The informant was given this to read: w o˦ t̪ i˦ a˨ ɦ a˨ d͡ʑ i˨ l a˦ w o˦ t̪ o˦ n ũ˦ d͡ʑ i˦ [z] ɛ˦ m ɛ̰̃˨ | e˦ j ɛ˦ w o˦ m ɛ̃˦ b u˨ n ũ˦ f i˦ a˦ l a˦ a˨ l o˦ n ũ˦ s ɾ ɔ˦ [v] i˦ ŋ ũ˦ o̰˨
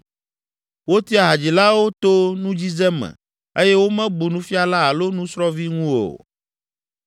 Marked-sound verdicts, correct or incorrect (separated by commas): correct, correct